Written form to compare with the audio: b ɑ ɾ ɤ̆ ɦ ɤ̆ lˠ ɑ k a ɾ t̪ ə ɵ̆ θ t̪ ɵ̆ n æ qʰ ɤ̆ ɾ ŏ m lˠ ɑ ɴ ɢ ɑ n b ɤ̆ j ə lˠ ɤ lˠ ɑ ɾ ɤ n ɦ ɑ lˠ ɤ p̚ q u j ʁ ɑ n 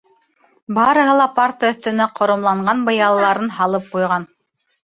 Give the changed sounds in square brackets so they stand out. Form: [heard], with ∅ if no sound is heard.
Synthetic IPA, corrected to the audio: b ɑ ɾ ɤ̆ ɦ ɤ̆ lˠ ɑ [p] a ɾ t̪ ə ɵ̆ θ t̪ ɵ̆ n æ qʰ [ŏ] ɾ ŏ m lˠ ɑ ɴ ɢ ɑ n b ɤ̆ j [ɑ] lˠ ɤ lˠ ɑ ɾ ɤ n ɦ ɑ lˠ ɤ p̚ q u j ʁ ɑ n